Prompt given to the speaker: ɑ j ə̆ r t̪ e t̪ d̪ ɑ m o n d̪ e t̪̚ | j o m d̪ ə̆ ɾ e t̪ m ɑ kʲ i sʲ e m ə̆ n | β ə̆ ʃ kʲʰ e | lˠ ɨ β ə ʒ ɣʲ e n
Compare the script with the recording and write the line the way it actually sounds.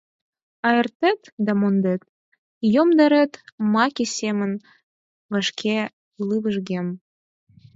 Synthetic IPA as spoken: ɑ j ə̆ r t̪ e t̪ d̪ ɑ m o n d̪ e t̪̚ | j o m d̪ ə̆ ɾ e t̪ m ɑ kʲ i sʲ e m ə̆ n | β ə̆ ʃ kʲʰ e | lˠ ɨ β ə ʒ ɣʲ e m

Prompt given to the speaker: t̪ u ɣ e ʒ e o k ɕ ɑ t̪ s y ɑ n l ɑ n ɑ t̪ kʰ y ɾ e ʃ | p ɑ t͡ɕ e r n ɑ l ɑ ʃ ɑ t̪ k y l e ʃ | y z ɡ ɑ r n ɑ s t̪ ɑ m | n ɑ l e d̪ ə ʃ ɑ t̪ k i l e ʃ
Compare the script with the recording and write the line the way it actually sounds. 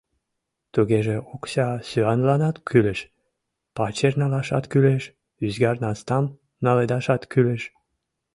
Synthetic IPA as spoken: t̪ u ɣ e ʒ e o k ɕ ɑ s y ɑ n l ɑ n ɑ t̪ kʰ y l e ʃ | p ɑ t͡ɕ e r n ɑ l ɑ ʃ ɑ t̪ k y l e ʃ | y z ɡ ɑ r n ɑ s t̪ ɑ m | n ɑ l e d̪ ɑ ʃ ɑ t̪ k y l e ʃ

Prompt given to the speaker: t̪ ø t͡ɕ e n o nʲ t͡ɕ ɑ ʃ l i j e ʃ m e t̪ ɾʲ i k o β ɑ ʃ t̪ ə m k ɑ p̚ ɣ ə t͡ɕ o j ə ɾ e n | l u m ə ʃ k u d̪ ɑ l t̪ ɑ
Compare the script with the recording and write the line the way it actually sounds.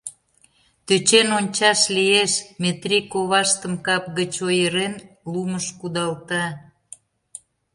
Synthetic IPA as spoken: t̪ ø t͡ɕ e n o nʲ t͡ɕ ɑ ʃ l i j e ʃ m e t̪ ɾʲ i k o β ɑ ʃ t̪ ə m k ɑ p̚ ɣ ə t͡ɕ o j ə ɾ e n | l u m ə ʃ k u d̪ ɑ l t̪ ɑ

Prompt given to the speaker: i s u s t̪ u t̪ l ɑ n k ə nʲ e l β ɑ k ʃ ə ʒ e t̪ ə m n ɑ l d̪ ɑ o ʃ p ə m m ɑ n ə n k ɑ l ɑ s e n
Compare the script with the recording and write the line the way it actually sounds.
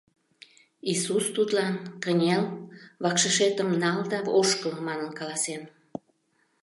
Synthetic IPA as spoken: i s u s t̪ u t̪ l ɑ n k ə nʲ e l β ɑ k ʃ ə ʃ e t̪ ə m n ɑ l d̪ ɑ o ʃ k ə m m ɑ n ə n k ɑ l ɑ s e n

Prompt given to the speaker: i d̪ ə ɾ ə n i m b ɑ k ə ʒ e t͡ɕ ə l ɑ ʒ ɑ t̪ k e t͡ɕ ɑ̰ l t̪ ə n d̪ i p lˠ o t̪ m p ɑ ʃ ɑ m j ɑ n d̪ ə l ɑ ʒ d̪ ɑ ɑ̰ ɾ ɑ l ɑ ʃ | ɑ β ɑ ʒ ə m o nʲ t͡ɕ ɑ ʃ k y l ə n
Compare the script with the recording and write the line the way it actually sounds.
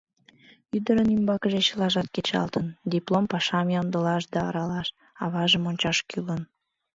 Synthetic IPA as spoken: y d̪ ə ɾ ə n i m b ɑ k ə ʒ e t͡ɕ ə l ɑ ʒ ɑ t̪ k e t͡ɕ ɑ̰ l t̪ ə n d̪ i p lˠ o m p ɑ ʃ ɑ m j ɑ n d̪ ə l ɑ ʃ d̪ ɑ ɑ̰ ɾ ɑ l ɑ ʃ | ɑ β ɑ ʒ ə m o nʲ t͡ɕ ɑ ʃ k y l ə n

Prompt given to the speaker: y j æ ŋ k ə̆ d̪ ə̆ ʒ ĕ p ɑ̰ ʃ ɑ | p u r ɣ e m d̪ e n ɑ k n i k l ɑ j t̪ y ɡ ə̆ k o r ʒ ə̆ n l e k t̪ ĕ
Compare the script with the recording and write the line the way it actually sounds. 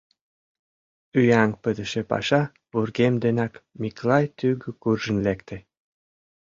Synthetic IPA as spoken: y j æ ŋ p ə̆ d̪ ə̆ ʃ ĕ p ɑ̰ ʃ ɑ | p u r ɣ e m d̪ e n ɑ k m i k l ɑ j t̪ y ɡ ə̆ k u r ʒ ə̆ n l e k t̪ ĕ

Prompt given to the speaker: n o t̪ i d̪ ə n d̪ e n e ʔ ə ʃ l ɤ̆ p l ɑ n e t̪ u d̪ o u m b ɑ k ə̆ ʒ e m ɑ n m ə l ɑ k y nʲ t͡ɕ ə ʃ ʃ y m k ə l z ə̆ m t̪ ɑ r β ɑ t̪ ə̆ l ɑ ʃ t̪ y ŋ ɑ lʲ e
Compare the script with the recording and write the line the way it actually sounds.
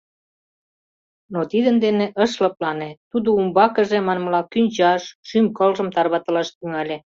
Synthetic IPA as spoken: n o t̪ i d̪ ə n d̪ e n e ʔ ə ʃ l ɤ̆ p l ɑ n e t̪ u d̪ o u m b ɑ k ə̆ ʒ e m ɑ n m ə l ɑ k y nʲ t͡ɕ ɑ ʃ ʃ y m k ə l ʒ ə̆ m t̪ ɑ r β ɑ t̪ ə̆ l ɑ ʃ t̪ y ŋ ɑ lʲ e

